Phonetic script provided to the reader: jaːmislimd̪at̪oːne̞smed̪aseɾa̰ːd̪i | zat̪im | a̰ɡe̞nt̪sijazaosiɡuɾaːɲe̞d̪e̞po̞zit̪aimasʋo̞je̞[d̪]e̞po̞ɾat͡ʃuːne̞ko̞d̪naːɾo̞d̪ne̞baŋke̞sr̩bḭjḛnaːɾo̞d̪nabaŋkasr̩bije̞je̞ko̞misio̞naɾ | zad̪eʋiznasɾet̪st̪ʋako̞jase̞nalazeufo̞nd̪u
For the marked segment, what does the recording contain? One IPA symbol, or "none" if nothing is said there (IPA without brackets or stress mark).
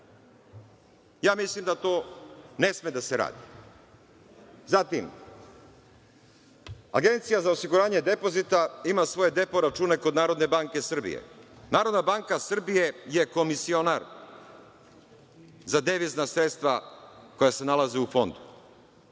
d̪